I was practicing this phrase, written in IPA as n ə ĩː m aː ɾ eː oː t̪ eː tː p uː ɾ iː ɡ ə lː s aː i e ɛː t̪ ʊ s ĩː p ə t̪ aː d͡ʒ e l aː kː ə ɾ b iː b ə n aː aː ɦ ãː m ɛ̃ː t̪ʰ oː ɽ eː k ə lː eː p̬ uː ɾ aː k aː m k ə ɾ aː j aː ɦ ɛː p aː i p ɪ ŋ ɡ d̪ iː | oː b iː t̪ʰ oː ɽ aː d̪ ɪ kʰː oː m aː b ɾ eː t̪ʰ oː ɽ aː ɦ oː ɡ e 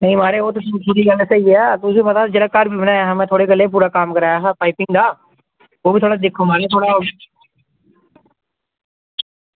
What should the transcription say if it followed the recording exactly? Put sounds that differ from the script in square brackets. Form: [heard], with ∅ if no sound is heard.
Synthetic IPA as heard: n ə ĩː m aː ɾ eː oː t̪ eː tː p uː ɾ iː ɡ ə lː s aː i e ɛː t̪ ʊ s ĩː p ə t̪ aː d͡ʒ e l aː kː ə ɾ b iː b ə n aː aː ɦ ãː m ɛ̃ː t̪ʰ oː ɽ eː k ə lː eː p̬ uː ɾ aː k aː m k ə ɾ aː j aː ɦ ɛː p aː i p ɪ ŋ ɡ d̪ [aː] | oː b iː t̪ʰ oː ɽ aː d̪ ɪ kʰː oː m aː [∅] ɾ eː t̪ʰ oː ɽ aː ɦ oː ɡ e